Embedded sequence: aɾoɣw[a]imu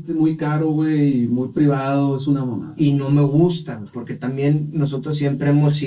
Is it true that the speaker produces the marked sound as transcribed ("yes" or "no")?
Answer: no